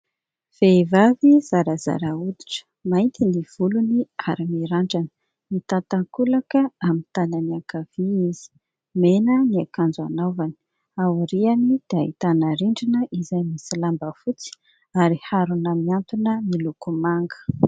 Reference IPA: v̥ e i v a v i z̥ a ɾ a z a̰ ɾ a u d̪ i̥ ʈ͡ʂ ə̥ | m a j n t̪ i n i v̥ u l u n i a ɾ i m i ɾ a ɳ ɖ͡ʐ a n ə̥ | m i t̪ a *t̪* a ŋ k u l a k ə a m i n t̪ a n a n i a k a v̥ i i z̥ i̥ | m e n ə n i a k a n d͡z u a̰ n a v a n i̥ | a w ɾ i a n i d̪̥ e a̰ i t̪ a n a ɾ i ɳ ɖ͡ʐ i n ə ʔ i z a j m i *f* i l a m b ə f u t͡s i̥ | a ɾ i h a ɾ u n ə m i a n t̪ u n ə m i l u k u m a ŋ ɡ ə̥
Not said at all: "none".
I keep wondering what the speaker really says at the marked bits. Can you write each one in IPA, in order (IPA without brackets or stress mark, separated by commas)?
t̪, s